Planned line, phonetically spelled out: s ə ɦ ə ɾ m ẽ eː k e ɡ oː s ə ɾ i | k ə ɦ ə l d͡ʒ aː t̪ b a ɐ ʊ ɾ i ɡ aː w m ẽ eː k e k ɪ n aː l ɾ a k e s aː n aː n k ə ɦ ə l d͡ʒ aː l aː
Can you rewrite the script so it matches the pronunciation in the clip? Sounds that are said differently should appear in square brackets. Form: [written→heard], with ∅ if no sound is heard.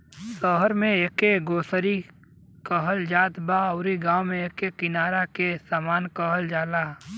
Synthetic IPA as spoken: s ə ɦ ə ɾ m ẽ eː k e ɡ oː s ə ɾ i | k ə ɦ ə l d͡ʒ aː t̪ b a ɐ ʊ ɾ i ɡ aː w m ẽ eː k e k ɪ n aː [l→∅] ɾ a k e s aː [n→m] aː n k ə ɦ ə l d͡ʒ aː l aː